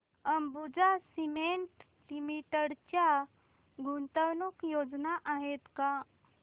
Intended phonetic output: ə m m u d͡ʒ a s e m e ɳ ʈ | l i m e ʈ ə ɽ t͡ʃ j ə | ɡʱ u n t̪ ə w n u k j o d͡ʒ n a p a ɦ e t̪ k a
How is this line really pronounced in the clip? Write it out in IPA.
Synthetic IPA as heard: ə m b u d͡ʒ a s i m e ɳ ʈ | l i m i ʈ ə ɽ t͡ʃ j a | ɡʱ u n t̪ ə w n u k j o d͡ʒ n a ʔ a ɦ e t̪ k a